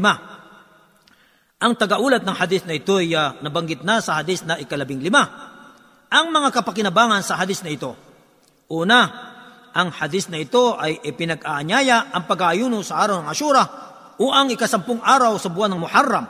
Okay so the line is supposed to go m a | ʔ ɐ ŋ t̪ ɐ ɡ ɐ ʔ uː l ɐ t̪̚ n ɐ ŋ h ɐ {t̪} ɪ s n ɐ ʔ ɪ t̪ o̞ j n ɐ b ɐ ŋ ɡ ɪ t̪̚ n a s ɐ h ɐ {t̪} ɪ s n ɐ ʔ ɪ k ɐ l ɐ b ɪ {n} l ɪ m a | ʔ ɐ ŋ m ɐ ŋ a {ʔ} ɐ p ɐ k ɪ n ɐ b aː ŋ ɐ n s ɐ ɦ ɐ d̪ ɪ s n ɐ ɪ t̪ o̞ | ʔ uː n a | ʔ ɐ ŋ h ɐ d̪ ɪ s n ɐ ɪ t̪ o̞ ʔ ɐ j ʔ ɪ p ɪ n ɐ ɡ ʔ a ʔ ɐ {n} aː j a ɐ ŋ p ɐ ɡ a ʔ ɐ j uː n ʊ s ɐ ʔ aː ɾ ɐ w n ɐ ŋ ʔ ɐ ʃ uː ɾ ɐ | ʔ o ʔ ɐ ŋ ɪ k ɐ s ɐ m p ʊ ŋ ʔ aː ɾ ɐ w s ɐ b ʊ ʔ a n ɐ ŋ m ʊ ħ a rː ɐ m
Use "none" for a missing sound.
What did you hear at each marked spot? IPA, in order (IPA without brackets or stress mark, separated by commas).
d̪, d̪, ŋ, k, ɲ